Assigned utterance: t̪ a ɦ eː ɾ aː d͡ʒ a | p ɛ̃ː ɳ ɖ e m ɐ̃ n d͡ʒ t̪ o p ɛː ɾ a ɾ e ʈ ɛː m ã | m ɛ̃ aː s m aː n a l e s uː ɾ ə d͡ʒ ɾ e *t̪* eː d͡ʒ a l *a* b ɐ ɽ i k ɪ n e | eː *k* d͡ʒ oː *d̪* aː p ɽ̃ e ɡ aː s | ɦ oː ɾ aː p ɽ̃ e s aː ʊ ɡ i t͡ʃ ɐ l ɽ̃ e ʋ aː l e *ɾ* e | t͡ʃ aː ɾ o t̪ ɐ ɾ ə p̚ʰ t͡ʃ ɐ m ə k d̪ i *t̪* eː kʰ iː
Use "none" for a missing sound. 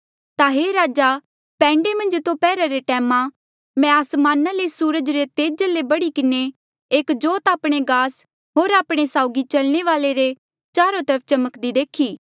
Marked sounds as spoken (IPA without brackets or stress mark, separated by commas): t̪, e, k, t̪, ɾ, d̪